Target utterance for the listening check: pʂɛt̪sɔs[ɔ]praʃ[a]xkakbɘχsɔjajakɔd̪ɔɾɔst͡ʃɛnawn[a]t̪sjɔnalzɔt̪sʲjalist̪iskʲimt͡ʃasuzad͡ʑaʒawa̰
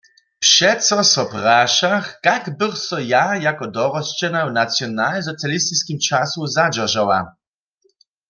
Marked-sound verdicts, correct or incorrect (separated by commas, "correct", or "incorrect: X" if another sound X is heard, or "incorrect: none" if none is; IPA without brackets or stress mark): correct, correct, correct